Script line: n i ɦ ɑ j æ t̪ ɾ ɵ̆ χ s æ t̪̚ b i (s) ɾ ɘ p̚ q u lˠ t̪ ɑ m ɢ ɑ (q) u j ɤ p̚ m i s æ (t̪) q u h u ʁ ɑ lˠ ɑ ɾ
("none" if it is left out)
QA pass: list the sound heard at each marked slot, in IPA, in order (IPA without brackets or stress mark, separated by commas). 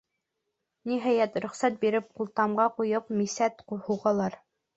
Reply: none, q, t̪